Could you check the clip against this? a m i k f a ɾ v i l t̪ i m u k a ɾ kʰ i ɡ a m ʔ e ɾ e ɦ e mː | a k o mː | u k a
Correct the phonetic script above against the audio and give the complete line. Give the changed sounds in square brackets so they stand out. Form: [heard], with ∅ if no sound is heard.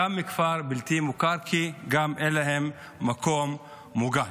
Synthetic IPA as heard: a m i k f a ɾ [b] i l t̪ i m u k a ɾ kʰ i ɡ a m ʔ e [l] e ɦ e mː | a k o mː | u [ɡ] a